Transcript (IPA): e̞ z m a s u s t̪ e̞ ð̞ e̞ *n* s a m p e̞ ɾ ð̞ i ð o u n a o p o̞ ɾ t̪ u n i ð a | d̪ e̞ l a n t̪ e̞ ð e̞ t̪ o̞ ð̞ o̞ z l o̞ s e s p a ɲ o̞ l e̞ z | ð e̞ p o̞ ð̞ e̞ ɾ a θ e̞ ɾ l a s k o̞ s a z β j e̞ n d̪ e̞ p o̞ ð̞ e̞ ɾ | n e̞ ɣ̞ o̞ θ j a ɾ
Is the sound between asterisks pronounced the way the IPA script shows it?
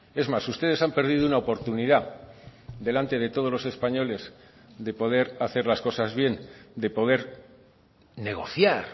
no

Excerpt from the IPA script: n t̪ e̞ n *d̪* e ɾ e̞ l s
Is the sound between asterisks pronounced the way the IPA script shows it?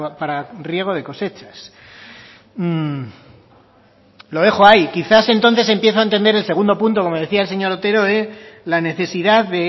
yes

